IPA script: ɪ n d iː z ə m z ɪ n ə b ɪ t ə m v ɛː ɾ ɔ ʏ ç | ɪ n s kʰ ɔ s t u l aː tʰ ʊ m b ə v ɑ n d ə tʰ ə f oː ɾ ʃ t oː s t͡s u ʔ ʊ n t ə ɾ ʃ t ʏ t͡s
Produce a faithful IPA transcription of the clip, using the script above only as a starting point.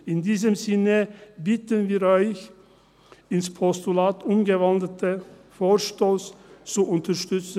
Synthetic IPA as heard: ɪ n d iː z ə m z ɪ n ə b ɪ t ə n v iː ɾ ɔ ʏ ç | ɪ n s pʰ ɔ s t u l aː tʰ ʊ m ɡ ə v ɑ n d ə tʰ ə f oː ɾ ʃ t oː s t͡s u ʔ ʊ n t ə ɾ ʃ t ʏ t͡s